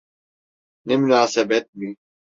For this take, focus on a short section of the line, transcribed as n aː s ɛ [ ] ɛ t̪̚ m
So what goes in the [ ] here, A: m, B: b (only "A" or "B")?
B